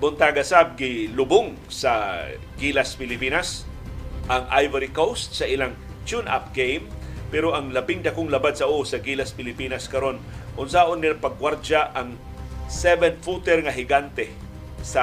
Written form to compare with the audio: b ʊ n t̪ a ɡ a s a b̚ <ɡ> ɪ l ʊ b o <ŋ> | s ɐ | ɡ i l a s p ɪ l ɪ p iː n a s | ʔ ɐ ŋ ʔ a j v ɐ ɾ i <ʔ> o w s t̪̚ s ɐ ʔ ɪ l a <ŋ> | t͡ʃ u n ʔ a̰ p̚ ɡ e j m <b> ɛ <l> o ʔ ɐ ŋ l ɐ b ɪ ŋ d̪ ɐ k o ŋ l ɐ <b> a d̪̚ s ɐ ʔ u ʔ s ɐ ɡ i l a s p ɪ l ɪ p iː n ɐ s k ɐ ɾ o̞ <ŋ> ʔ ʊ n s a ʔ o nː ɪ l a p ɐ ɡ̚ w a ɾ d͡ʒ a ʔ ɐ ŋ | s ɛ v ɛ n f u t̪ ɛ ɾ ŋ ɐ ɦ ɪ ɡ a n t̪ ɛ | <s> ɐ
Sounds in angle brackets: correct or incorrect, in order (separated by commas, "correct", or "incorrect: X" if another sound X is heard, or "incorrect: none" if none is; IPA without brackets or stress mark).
correct, correct, incorrect: k, correct, incorrect: p, incorrect: ɾ, correct, incorrect: n, correct